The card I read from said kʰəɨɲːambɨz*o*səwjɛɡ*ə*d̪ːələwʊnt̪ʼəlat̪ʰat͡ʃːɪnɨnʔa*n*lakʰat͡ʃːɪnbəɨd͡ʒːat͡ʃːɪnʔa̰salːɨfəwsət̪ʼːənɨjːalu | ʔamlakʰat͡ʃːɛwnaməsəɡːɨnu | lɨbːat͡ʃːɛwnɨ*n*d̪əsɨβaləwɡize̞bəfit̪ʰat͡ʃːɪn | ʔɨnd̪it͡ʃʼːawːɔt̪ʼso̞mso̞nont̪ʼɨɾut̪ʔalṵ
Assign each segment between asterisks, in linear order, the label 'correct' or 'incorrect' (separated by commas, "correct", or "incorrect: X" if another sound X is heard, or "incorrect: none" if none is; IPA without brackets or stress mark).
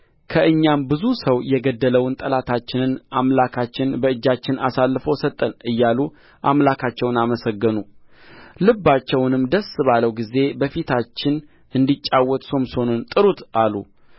incorrect: u, correct, incorrect: m, incorrect: m